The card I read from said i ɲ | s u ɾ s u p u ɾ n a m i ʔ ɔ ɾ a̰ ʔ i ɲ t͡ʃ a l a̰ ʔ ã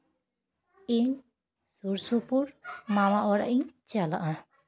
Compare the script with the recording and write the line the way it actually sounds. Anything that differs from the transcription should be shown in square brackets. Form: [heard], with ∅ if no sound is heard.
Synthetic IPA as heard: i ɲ | s u ɾ s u p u ɾ [m] a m [a] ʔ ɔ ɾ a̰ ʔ i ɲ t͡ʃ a l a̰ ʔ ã